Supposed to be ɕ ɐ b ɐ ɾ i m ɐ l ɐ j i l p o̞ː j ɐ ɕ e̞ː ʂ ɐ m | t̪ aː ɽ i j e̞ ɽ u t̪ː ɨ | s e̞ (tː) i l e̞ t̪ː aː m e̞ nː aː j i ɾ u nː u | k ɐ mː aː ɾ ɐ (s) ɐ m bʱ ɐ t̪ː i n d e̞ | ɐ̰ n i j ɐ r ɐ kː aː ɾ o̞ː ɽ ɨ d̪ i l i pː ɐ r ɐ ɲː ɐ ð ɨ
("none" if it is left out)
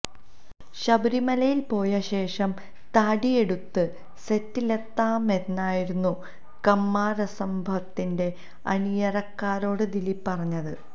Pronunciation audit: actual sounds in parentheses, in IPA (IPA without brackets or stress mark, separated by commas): tː, s